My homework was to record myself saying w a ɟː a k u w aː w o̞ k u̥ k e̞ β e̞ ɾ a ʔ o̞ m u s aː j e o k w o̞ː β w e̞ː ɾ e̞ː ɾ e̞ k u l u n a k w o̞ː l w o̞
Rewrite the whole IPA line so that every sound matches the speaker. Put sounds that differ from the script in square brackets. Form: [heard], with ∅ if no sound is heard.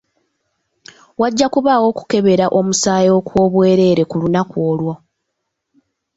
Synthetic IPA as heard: w a ɟː a k u [β] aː w o̞ k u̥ k e̞ β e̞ ɾ a ʔ o̞ m u s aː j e o k w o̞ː β w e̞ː ɾ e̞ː ɾ e̞ k u l u n a k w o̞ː l w o̞